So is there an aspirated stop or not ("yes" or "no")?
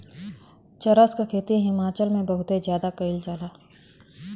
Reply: yes